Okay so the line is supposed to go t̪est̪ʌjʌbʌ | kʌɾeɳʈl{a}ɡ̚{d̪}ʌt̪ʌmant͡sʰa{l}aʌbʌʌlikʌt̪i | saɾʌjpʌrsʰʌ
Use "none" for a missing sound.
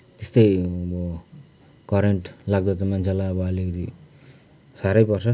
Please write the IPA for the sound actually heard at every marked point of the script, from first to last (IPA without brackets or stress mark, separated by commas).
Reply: a, d̪, l